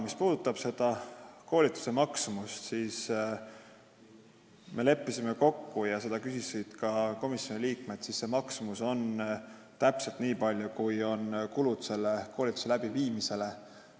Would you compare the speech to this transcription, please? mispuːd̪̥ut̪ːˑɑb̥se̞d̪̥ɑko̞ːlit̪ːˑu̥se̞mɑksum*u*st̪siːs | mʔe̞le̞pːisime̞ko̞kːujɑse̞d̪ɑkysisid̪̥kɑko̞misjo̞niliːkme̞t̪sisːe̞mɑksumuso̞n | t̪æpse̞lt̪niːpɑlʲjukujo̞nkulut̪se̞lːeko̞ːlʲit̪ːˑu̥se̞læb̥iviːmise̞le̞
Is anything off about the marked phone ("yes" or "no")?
no